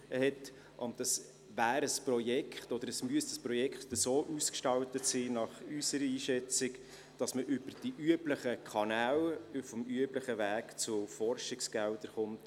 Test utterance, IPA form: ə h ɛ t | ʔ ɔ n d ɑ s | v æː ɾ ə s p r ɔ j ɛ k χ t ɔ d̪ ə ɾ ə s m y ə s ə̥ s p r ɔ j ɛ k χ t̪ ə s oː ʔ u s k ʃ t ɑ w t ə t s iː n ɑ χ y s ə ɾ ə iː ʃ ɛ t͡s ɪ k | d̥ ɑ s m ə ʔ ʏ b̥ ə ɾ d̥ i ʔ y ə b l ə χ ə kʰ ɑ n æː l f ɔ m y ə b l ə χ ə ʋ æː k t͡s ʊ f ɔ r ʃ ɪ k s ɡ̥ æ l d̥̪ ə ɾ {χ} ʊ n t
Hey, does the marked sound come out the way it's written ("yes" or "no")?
yes